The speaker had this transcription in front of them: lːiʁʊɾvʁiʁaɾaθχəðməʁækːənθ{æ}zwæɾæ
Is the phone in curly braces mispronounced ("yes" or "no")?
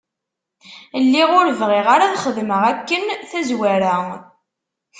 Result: no